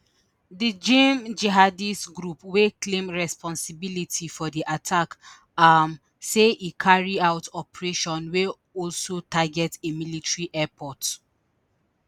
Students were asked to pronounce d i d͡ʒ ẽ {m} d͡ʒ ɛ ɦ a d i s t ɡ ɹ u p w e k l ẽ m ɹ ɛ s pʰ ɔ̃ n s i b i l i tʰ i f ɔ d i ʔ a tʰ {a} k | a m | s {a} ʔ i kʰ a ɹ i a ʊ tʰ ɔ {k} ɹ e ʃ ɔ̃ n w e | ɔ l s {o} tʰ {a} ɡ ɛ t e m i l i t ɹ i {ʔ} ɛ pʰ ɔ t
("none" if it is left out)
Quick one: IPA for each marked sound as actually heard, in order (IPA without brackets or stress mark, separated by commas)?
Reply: m, a, e, p, o, a, ʔ